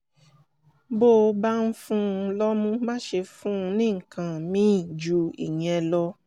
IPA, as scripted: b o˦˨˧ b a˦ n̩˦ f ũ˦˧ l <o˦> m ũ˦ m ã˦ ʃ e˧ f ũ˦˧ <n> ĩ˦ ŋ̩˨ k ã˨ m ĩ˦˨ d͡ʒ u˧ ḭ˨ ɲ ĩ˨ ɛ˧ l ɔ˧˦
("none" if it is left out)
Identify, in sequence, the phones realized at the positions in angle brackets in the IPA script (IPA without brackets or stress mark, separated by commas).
ɔ˦, n